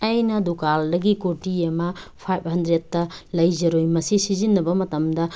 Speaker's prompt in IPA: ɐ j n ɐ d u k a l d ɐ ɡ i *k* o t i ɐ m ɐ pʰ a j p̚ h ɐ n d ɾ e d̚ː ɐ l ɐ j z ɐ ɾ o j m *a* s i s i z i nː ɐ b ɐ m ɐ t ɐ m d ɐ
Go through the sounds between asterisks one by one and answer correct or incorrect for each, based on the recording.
correct, incorrect: ɐ

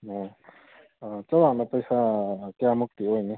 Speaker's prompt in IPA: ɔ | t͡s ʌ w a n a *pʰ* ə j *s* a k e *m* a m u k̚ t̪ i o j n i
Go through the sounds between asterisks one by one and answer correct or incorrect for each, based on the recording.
incorrect: p, correct, incorrect: none

